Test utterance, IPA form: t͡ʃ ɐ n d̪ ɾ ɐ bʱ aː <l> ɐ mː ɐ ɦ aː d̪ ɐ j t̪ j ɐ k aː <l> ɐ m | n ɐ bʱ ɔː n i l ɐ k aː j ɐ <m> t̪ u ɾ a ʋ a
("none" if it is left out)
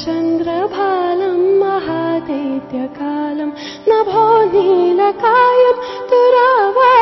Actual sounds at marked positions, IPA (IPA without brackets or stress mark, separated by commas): l, l, m